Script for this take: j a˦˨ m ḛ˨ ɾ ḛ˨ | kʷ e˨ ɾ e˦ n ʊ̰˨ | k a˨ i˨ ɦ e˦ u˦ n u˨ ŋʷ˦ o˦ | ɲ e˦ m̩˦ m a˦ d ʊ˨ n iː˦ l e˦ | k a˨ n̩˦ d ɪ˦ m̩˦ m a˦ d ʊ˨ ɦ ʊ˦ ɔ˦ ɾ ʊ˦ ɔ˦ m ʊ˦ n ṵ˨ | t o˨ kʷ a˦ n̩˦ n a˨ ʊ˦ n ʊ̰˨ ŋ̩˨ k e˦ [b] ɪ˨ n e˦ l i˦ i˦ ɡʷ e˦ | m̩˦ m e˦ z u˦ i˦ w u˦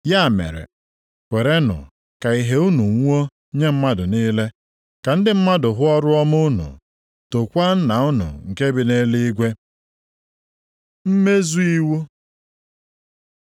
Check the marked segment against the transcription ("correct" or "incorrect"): correct